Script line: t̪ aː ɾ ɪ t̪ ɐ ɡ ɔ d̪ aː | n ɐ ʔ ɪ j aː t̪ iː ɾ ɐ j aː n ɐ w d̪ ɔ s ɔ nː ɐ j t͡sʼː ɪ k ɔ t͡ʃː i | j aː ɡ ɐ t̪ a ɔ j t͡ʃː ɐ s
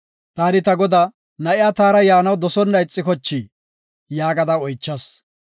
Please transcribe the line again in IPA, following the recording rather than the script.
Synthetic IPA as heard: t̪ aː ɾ ɪ t̪ ɐ ɡ ɔ d̪ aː | n ɐ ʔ ɪ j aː t̪ aː ɾ ɐ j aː n ɐ w d̪ ɔ s ɔ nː ɐ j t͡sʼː ɪ k ɔ t͡ʃː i | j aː ɡ ɐ d̪ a ɔ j t͡ʃː ɐ s